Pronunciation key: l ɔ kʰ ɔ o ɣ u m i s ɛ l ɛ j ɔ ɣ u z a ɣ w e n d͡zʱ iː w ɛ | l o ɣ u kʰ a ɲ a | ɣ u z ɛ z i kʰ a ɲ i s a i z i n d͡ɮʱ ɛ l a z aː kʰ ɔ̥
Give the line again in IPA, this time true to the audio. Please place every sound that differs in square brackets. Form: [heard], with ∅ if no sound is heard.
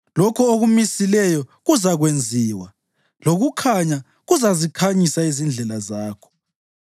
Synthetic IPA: l ɔ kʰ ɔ o ɣ u m i s [i] l ɛ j ɔ ɣ u z a ɣ w e n d͡zʱ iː w [a] | l o ɣ u kʰ a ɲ a | ɣ u z [a] z i kʰ a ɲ i s a i z i n d͡ɮʱ ɛ l a z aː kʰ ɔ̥